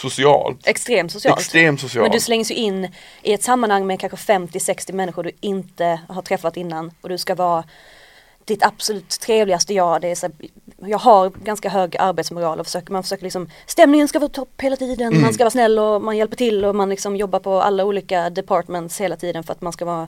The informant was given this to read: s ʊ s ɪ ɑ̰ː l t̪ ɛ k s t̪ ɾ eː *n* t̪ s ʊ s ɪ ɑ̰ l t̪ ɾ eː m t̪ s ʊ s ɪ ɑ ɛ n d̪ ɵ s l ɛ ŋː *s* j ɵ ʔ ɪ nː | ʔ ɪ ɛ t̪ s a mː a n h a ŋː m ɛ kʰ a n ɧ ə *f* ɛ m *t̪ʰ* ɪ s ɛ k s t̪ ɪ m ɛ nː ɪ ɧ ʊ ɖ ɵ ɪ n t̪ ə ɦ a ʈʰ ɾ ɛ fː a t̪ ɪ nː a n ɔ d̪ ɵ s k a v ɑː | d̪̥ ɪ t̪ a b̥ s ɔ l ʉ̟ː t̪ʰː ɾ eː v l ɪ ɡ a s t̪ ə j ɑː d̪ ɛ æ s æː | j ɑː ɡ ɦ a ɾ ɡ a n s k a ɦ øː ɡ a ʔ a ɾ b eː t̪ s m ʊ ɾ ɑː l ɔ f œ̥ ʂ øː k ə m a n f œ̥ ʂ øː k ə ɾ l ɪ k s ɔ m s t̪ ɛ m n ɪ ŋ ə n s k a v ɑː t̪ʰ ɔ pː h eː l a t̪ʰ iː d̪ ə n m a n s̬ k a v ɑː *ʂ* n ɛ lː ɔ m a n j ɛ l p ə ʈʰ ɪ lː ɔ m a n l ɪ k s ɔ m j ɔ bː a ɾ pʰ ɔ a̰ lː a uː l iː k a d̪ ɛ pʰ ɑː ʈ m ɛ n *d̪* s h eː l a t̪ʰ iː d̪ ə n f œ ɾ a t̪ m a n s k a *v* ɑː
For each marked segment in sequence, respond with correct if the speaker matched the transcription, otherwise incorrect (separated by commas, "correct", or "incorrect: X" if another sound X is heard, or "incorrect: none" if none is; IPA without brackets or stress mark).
incorrect: m, correct, correct, incorrect: t̪, incorrect: s, incorrect: t̪, correct